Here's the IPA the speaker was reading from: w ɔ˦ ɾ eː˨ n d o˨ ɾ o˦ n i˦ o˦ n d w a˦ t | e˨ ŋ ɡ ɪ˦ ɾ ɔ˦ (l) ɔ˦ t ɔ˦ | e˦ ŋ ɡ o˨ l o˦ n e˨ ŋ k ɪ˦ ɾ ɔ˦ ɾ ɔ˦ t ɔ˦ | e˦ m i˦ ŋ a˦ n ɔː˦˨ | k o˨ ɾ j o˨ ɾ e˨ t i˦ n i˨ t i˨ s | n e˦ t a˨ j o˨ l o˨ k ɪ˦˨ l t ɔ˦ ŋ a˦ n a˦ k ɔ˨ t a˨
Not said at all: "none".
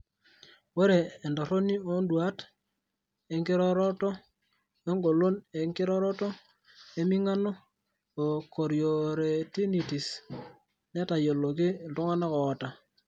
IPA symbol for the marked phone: ɾ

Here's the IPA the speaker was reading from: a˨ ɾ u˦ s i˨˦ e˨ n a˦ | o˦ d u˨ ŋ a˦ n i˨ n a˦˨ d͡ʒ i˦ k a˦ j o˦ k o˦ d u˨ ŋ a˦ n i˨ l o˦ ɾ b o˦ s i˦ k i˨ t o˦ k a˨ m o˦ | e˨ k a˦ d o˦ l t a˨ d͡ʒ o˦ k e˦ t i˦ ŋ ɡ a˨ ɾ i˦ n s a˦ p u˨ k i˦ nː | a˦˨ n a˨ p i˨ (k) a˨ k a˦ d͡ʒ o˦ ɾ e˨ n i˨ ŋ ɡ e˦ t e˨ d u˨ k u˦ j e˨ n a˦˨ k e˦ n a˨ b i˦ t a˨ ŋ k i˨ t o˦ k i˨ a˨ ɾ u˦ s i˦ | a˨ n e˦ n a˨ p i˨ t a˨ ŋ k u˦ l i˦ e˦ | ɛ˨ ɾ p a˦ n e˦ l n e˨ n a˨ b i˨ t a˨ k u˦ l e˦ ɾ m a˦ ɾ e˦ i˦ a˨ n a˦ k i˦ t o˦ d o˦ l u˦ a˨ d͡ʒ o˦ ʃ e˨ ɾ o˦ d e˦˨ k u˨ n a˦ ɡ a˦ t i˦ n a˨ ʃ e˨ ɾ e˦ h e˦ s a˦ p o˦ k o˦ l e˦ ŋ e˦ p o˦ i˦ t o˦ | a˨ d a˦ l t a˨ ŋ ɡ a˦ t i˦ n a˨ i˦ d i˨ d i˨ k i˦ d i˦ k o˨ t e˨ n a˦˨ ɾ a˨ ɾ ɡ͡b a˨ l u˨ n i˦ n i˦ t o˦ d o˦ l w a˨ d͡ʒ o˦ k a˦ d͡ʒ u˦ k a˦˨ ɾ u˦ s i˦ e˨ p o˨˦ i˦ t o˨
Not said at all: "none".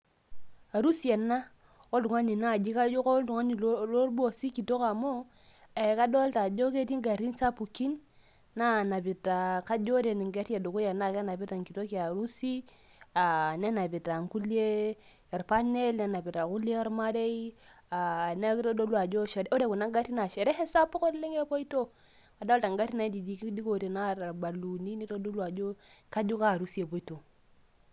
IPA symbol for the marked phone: t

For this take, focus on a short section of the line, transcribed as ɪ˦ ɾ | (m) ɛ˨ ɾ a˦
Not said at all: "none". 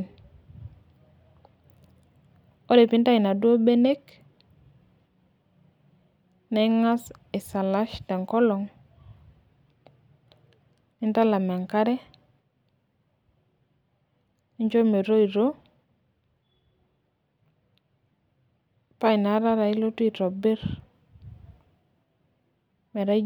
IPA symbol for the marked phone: m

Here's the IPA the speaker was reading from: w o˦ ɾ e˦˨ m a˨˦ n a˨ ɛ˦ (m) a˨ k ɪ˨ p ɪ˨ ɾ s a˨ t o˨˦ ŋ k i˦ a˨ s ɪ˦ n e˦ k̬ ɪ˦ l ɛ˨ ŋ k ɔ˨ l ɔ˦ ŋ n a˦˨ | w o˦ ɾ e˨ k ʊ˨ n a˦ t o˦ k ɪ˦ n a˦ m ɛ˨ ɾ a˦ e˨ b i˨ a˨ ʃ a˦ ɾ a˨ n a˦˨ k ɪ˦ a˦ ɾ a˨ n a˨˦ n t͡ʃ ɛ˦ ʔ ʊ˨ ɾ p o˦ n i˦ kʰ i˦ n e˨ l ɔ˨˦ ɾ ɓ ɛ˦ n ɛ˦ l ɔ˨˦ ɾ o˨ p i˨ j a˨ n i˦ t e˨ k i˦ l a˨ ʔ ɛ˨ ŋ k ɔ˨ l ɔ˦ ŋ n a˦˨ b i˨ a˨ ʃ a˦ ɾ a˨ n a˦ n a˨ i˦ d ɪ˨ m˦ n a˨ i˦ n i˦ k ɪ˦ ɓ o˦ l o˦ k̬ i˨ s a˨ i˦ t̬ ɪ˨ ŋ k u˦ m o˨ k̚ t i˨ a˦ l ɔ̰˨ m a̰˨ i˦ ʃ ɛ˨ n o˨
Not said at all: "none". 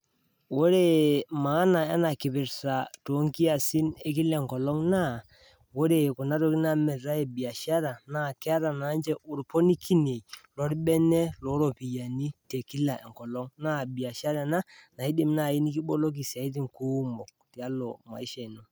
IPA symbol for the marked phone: n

